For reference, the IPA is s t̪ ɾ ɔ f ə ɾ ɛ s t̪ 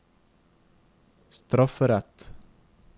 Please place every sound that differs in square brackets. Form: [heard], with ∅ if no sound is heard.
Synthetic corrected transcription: s t̪ ɾ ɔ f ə ɾ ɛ [∅] t̪